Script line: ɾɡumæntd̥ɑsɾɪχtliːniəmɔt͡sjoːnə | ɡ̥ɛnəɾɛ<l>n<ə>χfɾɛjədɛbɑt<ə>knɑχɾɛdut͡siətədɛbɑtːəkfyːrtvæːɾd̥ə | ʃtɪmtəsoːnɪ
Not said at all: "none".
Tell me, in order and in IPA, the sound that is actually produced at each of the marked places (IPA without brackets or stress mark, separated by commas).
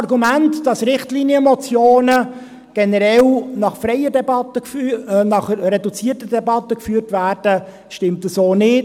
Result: l, ɑ, ə